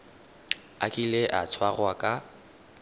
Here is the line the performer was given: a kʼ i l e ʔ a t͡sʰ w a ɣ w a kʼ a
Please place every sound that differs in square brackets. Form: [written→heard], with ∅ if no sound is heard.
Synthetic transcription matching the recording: a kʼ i l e ʔ a t͡sʰ w a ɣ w a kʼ a